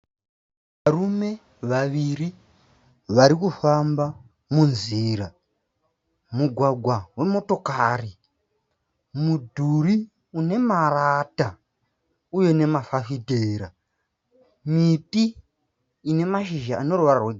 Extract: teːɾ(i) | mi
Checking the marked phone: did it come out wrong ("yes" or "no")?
yes